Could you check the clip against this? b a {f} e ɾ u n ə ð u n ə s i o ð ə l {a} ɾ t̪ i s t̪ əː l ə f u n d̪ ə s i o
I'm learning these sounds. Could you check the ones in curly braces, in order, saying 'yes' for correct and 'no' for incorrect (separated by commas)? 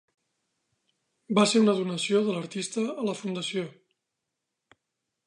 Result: no, no